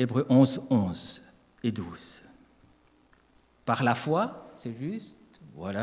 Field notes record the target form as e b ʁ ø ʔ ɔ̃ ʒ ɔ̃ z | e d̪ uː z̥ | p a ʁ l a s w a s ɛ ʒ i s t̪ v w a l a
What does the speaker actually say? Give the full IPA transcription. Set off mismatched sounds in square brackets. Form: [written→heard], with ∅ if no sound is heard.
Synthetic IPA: e b ʁ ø ʔ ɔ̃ [ʒ→z] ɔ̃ z | e d̪ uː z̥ | p a ʁ l a [s→f] w a s ɛ ʒ [i→y] s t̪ v w a l a